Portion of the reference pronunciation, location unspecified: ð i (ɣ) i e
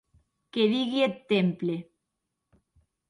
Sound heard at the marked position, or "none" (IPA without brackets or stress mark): ɣ